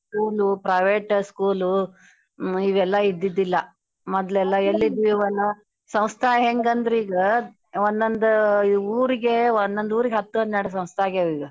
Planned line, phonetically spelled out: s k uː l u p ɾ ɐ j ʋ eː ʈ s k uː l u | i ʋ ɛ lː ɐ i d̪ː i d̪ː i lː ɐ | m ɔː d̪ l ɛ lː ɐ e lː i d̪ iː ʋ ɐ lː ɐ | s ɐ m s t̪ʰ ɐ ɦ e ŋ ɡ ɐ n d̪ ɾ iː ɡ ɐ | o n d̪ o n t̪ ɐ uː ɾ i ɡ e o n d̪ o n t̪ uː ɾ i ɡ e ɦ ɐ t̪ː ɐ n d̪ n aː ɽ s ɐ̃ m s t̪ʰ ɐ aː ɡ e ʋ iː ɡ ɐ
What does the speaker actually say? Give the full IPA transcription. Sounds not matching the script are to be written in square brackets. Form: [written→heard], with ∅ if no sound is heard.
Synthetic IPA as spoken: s k uː l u p ɾ ɐ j ʋ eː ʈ s k uː l u | i ʋ ɛ lː ɐ i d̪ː i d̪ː i lː ɐ | m [ɔː→ɔ] d̪ l ɛ lː ɐ e lː i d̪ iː ʋ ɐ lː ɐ | s ɐ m s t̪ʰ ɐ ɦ e ŋ ɡ ɐ n d̪ ɾ iː ɡ ɐ | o n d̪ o n [t̪→d̪] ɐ uː ɾ i ɡ e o n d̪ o n [t̪→d̪] uː ɾ i ɡ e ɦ ɐ t̪ː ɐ n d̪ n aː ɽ s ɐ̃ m s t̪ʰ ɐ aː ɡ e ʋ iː ɡ ɐ